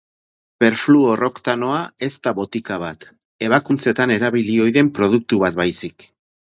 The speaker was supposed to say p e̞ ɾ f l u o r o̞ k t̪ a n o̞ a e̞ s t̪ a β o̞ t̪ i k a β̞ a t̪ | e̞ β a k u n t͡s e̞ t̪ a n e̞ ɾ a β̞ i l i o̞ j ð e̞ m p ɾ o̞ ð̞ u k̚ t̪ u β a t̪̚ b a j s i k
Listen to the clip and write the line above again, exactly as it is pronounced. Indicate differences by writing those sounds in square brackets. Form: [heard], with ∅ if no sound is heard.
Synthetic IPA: p e̞ ɾ f l u o r o̞ k t̪ a n o̞ a e̞ s t̪ a β o̞ t̪ i k a β̞ a t̪ | e̞ β a k u n t͡s e̞ t̪ a n e̞ ɾ a β̞ i l i o̞ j ð e̞ m p ɾ o̞ ð̞ u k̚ t̪ u β a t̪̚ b a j s i k